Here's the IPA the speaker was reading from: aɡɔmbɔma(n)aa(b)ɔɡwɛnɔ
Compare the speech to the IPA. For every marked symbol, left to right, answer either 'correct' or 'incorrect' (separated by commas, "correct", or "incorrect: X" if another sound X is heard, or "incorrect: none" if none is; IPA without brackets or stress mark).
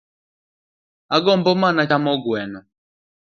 correct, incorrect: m